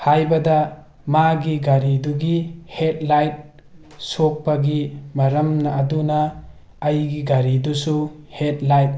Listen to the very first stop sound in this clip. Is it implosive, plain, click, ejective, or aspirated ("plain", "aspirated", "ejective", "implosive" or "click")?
plain